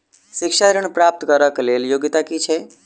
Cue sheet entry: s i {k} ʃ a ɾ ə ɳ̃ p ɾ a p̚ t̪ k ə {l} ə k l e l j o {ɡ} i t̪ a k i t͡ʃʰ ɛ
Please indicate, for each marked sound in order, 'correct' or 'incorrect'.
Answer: correct, incorrect, correct

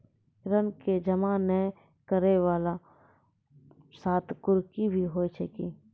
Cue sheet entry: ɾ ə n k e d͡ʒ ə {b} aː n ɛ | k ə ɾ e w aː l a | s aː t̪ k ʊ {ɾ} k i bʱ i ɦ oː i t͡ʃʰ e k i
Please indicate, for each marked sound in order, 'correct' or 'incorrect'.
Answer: incorrect, correct

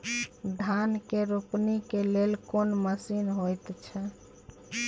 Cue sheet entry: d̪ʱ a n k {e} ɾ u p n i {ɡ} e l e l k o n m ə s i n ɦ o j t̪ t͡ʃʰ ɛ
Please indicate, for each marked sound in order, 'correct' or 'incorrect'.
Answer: correct, incorrect

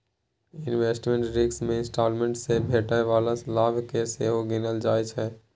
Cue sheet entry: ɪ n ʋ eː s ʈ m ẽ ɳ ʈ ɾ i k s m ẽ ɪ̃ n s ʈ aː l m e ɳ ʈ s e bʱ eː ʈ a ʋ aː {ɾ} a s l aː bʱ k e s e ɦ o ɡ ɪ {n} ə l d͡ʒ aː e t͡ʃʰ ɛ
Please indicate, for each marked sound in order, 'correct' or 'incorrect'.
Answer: incorrect, correct

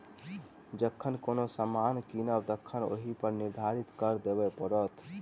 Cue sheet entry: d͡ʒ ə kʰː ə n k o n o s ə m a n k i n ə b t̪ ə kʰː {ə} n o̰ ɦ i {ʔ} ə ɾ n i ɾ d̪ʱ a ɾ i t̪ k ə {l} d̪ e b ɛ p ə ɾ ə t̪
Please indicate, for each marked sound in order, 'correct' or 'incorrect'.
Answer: correct, incorrect, incorrect

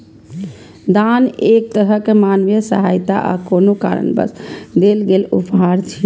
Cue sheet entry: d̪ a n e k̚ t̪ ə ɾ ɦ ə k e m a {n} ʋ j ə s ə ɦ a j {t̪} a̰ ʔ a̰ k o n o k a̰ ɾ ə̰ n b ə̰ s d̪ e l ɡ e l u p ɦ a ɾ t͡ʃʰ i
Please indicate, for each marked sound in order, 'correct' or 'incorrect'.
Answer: correct, correct

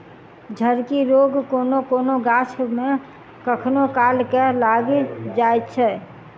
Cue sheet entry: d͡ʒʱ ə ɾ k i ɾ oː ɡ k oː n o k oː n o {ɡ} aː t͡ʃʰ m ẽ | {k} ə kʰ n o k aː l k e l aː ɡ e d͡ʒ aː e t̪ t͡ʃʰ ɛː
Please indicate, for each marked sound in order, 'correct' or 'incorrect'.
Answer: correct, correct

